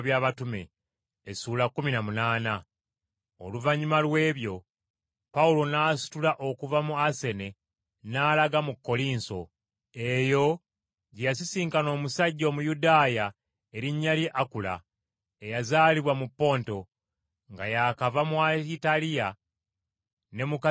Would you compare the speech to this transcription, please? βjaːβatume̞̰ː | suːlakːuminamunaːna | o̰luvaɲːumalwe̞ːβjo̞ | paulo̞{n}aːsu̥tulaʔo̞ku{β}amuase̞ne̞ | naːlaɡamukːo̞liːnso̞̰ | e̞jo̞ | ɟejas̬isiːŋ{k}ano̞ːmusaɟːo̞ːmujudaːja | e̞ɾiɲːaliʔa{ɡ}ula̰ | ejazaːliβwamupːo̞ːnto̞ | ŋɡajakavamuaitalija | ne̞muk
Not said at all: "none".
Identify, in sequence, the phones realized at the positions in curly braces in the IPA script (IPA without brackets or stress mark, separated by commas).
n, v, k, k